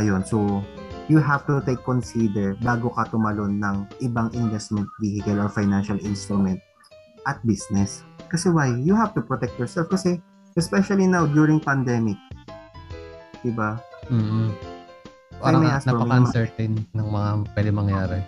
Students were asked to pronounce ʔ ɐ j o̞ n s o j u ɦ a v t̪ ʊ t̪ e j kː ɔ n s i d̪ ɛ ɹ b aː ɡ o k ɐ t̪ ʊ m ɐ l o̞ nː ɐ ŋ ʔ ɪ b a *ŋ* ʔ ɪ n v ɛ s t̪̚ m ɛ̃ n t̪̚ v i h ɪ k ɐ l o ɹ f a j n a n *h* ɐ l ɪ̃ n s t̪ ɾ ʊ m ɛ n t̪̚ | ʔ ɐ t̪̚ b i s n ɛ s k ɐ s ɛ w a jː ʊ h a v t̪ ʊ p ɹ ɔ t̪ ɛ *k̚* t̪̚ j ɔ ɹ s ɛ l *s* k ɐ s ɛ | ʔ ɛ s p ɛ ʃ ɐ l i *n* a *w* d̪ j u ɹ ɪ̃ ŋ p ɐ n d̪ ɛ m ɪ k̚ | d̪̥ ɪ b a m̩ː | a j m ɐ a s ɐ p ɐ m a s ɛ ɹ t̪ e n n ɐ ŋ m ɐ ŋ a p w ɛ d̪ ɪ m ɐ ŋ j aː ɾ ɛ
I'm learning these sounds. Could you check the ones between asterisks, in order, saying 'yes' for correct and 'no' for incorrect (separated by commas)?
yes, no, yes, no, yes, yes